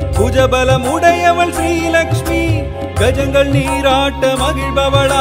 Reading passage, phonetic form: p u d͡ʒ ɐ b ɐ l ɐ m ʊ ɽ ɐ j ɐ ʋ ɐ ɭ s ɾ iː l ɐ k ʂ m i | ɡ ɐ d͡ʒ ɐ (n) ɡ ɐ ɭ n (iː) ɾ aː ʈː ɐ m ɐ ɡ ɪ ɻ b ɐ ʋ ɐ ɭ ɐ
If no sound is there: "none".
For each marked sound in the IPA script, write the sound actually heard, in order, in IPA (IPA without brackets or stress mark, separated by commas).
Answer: ŋ, iː